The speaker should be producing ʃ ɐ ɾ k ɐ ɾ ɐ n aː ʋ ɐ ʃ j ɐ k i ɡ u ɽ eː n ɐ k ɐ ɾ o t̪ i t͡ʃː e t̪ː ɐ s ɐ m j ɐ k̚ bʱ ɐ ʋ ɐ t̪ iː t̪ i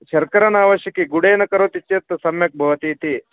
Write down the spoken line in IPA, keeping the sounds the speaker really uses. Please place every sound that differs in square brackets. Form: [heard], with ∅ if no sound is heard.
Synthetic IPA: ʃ ɐ ɾ k ɐ ɾ ɐ n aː ʋ ɐ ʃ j ɐ k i ɡ u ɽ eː n ɐ k ɐ ɾ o t̪ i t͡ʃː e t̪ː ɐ s ɐ m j ɐ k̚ bʱ ɐ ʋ ɐ t̪ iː t̪ i

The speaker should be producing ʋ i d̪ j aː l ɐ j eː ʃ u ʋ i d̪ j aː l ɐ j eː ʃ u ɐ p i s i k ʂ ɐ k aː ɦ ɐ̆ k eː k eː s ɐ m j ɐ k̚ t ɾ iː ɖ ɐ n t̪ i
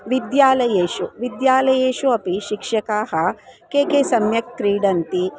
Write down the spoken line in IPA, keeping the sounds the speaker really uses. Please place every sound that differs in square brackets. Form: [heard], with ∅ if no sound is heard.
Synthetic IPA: ʋ i d̪ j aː l ɐ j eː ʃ u ʋ i d̪ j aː l ɐ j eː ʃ u ɐ p i [ʃ] i k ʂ ɐ k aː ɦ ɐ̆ k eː k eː s ɐ m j ɐ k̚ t ɾ iː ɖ ɐ n t̪ i

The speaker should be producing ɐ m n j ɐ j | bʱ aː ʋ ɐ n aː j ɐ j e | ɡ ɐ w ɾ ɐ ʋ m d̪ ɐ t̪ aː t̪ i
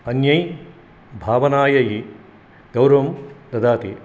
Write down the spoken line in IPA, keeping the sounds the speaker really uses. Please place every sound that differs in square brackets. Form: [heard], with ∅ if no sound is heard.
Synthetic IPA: ɐ [∅] n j ɐ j | bʱ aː ʋ ɐ n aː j ɐ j [i] | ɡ ɐ w ɾ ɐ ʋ m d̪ ɐ [d̪] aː t̪ i

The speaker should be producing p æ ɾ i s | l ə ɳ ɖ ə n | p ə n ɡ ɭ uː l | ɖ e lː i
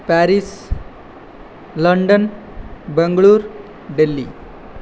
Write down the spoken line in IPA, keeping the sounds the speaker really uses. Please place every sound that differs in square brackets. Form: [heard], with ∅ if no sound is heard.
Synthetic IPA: p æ ɾ i s | l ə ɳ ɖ ə n | [b] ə [ŋ] ɡ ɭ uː [ɾ] | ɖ e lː i

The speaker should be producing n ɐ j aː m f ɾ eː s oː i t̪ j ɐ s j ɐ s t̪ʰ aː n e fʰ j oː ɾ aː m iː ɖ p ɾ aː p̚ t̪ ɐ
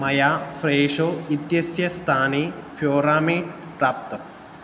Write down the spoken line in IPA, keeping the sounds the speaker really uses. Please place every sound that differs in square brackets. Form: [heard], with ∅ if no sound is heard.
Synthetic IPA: [m] ɐ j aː [∅] f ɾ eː [ʂ] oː i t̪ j ɐ s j ɐ s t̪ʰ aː n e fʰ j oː ɾ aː m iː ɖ p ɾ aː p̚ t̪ ɐ

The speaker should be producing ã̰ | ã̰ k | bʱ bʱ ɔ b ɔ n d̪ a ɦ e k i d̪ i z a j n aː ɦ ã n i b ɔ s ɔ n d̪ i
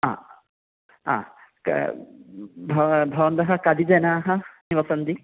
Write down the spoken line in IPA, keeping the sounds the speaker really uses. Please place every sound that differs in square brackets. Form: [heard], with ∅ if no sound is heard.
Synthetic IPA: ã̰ | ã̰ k | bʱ bʱ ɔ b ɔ n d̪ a ɦ [a] k [a] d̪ i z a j n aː ɦ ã n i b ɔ s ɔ n d̪ i

